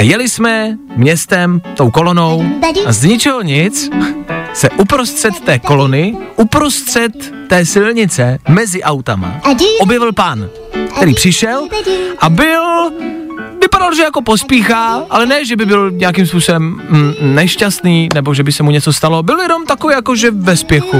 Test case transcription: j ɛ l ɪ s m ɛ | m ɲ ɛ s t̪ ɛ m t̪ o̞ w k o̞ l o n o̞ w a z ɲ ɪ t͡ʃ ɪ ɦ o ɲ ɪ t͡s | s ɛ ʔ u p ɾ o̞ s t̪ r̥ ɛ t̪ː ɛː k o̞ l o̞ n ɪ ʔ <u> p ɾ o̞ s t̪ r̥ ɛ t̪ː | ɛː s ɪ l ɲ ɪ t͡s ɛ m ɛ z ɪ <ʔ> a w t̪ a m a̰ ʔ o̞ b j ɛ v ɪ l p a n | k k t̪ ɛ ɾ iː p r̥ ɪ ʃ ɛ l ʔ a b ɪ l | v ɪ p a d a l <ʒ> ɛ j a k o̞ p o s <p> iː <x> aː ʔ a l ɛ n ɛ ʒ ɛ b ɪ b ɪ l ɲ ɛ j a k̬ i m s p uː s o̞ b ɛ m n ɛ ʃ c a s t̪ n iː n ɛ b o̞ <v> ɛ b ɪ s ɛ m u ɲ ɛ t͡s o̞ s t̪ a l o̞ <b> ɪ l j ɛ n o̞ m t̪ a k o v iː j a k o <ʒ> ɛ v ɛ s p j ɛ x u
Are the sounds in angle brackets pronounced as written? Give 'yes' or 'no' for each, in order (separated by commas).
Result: yes, yes, yes, yes, yes, no, yes, yes